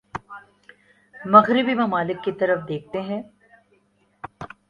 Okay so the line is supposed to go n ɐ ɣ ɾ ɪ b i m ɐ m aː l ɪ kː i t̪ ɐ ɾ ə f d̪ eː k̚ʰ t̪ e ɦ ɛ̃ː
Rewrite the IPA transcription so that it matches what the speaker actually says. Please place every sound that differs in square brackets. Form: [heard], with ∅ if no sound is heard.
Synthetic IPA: [m] ɐ ɣ ɾ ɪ b i m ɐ m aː l ɪ kː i t̪ ɐ ɾ ə f d̪ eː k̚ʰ t̪ e ɦ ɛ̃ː